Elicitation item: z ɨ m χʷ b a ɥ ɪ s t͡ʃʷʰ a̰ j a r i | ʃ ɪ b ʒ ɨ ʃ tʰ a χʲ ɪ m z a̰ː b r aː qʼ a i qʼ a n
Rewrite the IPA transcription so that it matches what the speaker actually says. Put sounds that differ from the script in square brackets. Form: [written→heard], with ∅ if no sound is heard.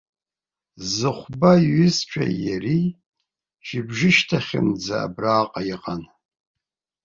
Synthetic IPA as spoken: z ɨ [m→∅] χʷ b a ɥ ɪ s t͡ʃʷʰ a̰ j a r i | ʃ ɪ b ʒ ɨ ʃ tʰ a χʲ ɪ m [z→d͡z] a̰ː b r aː qʼ a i qʼ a n

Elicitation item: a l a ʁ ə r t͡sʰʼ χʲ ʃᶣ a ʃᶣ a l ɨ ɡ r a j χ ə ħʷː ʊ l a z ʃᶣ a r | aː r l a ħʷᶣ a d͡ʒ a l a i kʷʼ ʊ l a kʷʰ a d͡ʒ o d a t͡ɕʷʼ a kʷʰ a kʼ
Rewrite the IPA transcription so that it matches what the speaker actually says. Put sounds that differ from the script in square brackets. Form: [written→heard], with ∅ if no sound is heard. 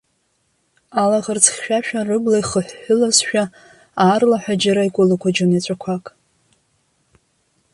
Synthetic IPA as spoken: a l a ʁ ə r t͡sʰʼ χʲ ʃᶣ a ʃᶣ a [l→r] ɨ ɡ [r→l] a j χ ə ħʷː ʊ l a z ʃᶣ a [r→∅] | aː r l a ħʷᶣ a d͡ʒ a [l→ɾ] a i kʷʼ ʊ l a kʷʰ a d͡ʒ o [d→n] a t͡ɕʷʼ a kʷʰ a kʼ

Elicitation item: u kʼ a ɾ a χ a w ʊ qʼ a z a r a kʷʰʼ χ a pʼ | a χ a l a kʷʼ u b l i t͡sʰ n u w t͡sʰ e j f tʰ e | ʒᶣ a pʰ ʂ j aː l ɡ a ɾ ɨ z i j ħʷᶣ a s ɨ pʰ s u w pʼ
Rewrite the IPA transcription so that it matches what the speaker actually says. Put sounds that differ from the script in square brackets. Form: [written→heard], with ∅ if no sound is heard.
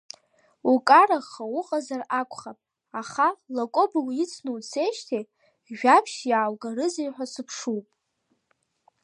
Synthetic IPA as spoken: u kʼ a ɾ a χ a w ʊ qʼ a z a r a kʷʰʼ χ a pʼ | a χ a l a kʷʼ [u→o] b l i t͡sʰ n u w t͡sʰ e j [f→ʃ] tʰ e | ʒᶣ a pʰ [ʂ→ʃ] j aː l ɡ a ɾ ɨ z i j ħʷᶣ a s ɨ pʰ [s→ʂ] u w pʼ

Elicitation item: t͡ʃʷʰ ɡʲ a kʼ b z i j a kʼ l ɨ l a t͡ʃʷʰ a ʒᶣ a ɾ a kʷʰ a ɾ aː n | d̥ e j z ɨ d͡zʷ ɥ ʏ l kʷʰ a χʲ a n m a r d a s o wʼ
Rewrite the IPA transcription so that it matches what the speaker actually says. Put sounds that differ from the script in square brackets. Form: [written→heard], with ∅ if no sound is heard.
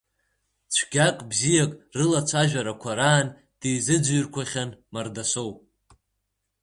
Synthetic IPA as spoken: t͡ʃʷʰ ɡʲ a kʼ b z i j a kʼ [l→r] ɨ l a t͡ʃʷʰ a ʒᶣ a ɾ a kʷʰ a ɾ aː n | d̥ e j z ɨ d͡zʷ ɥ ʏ [l→r] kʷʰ a χʲ a n m a r d a s o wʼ

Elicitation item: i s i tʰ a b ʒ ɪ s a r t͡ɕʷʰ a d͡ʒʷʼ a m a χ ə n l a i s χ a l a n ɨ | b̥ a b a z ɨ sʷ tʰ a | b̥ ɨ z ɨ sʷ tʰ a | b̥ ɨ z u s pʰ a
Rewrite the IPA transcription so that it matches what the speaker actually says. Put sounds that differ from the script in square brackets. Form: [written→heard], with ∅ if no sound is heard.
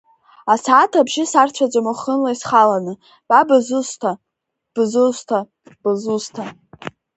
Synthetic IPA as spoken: [i→a] s [i→a] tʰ a b ʒ ɪ s a r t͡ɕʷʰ a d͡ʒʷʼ a m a χ ə n l a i s χ a l a n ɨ | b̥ a b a z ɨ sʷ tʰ a | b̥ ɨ z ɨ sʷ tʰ a | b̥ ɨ z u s [pʰ→tʰ] a

